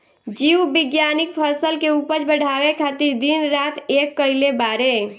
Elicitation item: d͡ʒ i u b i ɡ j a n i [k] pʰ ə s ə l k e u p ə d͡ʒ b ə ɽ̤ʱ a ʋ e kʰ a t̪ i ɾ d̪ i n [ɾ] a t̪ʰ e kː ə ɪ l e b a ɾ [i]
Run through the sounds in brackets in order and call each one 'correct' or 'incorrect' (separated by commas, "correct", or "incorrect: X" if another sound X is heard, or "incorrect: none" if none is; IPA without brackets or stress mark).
correct, correct, incorrect: e